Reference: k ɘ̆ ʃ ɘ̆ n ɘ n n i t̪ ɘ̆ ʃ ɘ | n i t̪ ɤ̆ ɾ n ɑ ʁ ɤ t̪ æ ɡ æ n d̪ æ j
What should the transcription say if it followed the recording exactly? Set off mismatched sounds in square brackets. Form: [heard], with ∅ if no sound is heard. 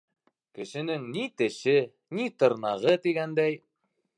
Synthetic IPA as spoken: k ɘ̆ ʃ ɘ̆ n ɘ [ŋ] n i t̪ ɘ̆ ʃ ɘ | n i t̪ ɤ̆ ɾ n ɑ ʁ ɤ t̪ [i] ɡ æ n d̪ æ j